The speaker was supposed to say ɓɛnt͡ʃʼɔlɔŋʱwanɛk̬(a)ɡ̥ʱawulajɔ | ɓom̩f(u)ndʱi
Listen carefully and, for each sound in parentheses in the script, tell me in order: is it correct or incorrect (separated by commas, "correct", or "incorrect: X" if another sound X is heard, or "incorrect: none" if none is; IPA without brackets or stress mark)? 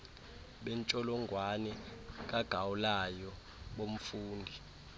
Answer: correct, incorrect: uː